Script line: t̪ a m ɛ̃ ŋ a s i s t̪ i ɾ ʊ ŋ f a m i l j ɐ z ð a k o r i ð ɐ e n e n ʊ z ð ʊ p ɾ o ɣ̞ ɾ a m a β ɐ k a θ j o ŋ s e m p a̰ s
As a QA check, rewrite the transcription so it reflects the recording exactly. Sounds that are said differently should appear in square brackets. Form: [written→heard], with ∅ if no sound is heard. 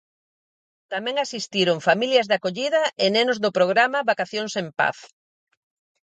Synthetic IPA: t̪ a m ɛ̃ ŋ a s i s t̪ i ɾ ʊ ŋ f a m i l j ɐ z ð a k o [r→ʎ] i ð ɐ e n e n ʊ z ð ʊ p ɾ o ɣ̞ ɾ a m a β [ɐ→a] k a θ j o ŋ s e m p a̰ [s→θ]